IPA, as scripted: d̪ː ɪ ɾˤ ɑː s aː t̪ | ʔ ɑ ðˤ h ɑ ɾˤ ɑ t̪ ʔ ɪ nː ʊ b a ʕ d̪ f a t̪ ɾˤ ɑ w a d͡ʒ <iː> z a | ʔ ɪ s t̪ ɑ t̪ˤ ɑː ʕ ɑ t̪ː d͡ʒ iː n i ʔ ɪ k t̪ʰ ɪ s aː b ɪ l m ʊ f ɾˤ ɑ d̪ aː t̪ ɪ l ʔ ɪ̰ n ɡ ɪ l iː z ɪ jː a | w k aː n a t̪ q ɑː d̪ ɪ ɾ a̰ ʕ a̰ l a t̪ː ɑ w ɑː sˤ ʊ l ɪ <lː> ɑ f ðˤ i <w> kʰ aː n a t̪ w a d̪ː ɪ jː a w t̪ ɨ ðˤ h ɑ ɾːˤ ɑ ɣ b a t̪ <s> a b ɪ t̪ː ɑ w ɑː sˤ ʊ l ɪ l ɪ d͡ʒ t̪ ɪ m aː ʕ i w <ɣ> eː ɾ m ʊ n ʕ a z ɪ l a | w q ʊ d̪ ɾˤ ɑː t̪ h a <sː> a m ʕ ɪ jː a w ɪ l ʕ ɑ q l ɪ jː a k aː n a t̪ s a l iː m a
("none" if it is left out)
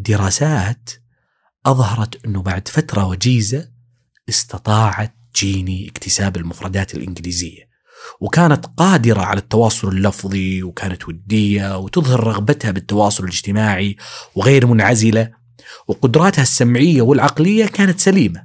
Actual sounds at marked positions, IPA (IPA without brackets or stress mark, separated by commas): iː, lː, w, h, ɣ, sː